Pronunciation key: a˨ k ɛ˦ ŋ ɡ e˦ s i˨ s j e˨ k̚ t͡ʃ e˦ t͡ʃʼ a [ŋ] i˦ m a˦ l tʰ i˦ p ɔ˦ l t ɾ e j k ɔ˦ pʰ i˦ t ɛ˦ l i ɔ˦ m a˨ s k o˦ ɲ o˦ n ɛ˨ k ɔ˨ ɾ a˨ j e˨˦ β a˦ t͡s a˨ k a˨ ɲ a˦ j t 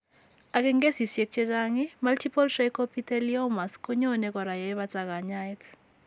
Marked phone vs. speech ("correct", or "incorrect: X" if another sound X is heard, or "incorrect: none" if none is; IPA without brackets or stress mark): correct